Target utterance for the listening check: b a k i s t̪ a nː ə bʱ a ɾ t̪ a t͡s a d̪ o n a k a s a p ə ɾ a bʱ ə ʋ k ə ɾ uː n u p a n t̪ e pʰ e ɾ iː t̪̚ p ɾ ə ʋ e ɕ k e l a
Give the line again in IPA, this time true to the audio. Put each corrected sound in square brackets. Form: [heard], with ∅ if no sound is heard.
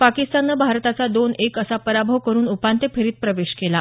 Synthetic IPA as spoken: [p] a k i s t̪ a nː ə bʱ a ɾ t̪ a t͡s a d̪ o n [e] k [ə] s a p ə ɾ a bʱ ə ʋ k ə ɾ uː n u p a n t̪ e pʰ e ɾ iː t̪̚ p ɾ ə ʋ e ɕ k e l a

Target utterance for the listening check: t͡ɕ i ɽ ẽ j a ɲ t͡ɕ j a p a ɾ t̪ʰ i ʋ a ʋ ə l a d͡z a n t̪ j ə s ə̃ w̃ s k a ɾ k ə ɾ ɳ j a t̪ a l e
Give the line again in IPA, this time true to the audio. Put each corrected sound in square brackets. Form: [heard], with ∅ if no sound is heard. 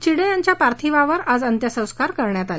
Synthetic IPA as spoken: t͡ɕ i ɽ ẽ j a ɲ t͡ɕ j a p a ɾ t̪ʰ i ʋ a ʋ ə [ɾ] a d͡z [ə] n t̪ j ə s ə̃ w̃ s k a ɾ k ə ɾ ɳ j a t̪ a l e

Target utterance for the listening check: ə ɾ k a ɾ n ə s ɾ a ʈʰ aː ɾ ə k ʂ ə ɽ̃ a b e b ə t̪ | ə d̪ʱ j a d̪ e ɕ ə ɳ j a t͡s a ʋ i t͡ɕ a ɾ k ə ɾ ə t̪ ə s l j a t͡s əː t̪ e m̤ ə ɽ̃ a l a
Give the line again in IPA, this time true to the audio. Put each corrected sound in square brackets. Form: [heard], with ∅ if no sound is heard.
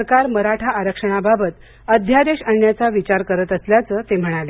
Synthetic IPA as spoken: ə ɾ k a ɾ [m] ə [∅] ɾ a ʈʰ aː ɾ ə k ʂ ə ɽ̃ a b [a] b ə t̪ | ə d̪ʱ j a d̪ e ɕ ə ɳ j a t͡s a ʋ i t͡ɕ a ɾ k ə ɾ ə t̪ ə s l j a t͡s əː t̪ e m̤ ə ɽ̃ a l [e]

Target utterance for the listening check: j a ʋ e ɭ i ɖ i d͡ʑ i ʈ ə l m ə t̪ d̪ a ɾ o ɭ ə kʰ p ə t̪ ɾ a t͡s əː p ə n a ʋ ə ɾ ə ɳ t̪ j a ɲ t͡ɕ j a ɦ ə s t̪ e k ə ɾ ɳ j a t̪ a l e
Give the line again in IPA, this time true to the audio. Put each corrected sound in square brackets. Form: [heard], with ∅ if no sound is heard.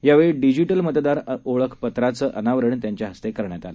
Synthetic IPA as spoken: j a ʋ e ɭ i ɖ i d͡ʑ i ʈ ə l m ə t̪ d̪ a ɾ o ɭ ə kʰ p ə t̪ ɾ a t͡s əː [ʔ] ə n a ʋ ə ɾ ə ɳ t̪ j a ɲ t͡ɕ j a ɦ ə s t̪ e k ə ɾ ɳ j a t̪ a l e

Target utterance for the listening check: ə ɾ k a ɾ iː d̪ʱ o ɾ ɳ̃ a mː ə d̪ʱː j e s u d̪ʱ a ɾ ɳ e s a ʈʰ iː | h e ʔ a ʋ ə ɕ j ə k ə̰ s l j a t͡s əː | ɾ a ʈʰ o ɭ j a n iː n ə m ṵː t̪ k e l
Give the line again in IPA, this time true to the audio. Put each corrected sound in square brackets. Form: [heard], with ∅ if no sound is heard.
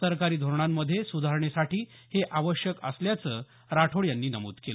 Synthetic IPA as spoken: ə ɾ k a ɾ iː d̪ʱ o ɾ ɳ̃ a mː ə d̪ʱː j e s u d̪ʱ a ɾ ɳ e s a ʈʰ iː | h e ʔ a ʋ ə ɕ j ə k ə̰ s l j a t͡s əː | ɾ a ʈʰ o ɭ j a [nː] iː n ə m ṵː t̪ k e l

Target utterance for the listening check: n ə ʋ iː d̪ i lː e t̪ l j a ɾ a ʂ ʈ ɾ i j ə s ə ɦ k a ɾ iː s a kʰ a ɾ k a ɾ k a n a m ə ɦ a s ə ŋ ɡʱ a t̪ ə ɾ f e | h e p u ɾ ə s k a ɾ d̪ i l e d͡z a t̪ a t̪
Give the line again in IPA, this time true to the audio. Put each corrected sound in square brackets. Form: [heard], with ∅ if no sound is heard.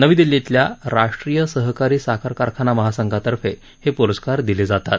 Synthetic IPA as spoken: n ə ʋ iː d̪ i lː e t̪ l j a ɾ a ʂ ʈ ɾ i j ə s ə ɦ k a ɾ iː s a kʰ a ɾ k a ɾ [kʰ] a n a m ə ɦ a s ə ŋ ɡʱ a t̪ ə ɾ f e | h e p u ɾ ə s k a ɾ d̪ i l e d͡z a t̪ a t̪

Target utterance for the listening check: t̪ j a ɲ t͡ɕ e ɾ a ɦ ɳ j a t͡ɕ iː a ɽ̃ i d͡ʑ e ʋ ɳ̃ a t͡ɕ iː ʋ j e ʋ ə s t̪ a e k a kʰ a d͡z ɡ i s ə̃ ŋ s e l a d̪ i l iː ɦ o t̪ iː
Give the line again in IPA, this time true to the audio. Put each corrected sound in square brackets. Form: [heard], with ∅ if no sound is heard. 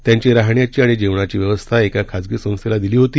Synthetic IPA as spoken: t̪ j a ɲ t͡ɕ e ɾ a ɦ ɳ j a t͡ɕ iː a ɽ̃ i d͡ʑ e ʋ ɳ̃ a t͡ɕ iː ʋ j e ʋ ə s [t̪ʰ] a e k a kʰ a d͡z ɡ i s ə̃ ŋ s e l a d̪ i l iː ɦ o t̪ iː

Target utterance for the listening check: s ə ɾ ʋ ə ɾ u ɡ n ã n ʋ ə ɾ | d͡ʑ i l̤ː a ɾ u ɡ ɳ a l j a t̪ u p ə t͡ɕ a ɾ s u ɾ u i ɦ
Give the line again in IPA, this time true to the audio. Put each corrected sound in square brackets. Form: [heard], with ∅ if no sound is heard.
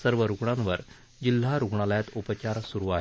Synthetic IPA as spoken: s ə ɾ ʋ ə ɾ u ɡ [ɳ] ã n ʋ ə ɾ | d͡ʑ i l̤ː a ɾ u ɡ ɳ a l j a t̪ u p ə t͡ɕ a ɾ s u ɾ u [a] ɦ

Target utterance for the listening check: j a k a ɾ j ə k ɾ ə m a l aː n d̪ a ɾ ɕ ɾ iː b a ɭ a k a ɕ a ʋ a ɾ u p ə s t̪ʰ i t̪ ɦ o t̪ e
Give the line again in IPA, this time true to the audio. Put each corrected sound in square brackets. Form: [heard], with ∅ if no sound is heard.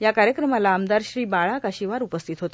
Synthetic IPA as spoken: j a k a ɾ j ə k ɾ ə m a l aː [m] d̪ a ɾ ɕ ɾ iː b a ɭ a k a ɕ [i] ʋ a ɾ u p ə s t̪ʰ i t̪ ɦ o t̪ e

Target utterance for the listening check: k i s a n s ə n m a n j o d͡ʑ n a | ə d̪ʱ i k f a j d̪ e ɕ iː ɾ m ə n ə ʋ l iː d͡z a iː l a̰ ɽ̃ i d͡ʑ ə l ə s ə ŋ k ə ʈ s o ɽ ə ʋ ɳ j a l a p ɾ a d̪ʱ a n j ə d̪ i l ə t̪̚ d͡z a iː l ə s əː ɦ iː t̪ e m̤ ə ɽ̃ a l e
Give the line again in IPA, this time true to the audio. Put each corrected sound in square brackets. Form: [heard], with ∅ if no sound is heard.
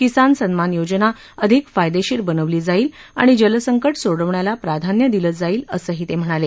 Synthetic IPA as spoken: k i s a n s ə n m a n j o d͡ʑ n a | ə d̪ʱ i k f a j d̪ e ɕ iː ɾ [b] ə n ə ʋ l iː d͡z a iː l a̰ ɽ̃ i d͡ʑ ə l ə s ə ŋ k ə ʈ s o ɽ ə ʋ ɳ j a l a p ɾ a d̪ʱ a n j ə d̪ i l ə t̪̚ d͡z a iː l ə s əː ɦ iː t̪ e m̤ ə ɽ̃ a l e

